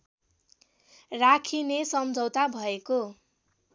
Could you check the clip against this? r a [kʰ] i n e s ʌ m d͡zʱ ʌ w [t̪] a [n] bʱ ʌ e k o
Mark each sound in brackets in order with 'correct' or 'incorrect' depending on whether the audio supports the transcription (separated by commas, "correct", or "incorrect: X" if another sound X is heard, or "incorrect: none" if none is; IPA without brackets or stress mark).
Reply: correct, correct, incorrect: none